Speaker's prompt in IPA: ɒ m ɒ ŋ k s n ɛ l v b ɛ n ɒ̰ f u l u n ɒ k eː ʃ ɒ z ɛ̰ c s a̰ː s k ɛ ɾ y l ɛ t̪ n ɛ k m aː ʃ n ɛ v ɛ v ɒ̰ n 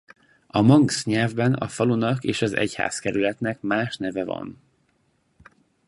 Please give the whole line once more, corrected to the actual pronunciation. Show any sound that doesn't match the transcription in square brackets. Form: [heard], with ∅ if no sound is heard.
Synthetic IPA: ɒ m ɒ ŋ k s [ɲ] ɛ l v b ɛ n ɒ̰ f [ɒ] l u n ɒ k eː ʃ ɒ z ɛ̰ c [h] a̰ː s k ɛ ɾ y l ɛ t̪ n ɛ k m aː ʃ n ɛ v ɛ v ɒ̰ n